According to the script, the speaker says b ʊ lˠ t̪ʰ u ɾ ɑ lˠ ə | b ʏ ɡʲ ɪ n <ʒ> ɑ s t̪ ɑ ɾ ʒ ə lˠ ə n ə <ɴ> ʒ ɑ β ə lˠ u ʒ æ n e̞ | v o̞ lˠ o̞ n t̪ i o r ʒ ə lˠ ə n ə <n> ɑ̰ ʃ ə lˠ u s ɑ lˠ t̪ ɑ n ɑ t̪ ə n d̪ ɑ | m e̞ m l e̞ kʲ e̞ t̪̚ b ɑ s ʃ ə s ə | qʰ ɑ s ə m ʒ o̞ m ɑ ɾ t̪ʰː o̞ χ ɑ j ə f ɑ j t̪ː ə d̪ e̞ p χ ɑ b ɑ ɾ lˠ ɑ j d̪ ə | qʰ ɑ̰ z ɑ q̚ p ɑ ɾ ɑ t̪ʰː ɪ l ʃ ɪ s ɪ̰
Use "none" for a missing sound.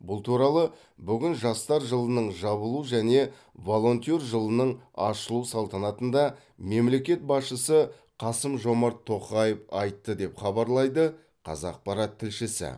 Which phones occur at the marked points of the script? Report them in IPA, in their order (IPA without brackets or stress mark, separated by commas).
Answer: ʒ, ɴ, ɴ